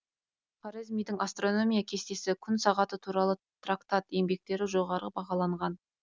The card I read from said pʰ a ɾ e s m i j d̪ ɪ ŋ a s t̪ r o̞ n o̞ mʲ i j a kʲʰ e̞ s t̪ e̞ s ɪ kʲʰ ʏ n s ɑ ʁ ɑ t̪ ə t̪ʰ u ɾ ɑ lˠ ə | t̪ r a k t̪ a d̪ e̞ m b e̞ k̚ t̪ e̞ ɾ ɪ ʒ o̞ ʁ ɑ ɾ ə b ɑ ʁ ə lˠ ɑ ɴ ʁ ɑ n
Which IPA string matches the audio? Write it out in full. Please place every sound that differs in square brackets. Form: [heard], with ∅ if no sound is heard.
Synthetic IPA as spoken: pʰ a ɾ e [z] m i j d̪ ɪ ŋ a s t̪ r o̞ n o̞ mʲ i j a kʲʰ e̞ s t̪ e̞ s ɪ kʲʰ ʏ n s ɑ ʁ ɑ t̪ ə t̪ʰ u ɾ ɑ lˠ ə | t̪ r a k t̪ a [t̪] e̞ m b e̞ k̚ t̪ e̞ ɾ ɪ ʒ o̞ ʁ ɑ ɾ ə b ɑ ʁ [ɑ] lˠ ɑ ɴ ʁ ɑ n